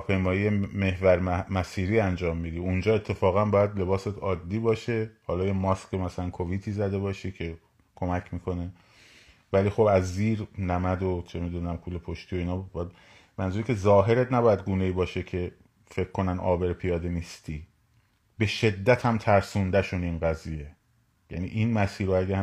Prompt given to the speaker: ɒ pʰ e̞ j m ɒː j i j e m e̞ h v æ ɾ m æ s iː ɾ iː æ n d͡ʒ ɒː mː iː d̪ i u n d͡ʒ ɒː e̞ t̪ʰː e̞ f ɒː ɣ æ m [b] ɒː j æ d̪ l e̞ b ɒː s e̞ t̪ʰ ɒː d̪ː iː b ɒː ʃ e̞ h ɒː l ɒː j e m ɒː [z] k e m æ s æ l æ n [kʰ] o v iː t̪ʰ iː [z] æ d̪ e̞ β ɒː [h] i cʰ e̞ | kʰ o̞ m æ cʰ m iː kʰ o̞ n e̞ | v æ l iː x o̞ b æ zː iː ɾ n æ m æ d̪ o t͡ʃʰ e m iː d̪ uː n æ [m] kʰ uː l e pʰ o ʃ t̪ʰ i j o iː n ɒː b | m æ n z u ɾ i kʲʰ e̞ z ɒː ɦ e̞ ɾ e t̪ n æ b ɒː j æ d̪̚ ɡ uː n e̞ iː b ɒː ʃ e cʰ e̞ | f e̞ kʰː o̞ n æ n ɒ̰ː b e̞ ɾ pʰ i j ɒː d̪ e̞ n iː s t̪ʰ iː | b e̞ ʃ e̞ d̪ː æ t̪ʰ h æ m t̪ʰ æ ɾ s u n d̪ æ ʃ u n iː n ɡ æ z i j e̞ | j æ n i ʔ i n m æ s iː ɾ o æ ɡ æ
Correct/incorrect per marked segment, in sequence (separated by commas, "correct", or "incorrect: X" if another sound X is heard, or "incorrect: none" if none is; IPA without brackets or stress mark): correct, incorrect: s, correct, correct, incorrect: ʃ, correct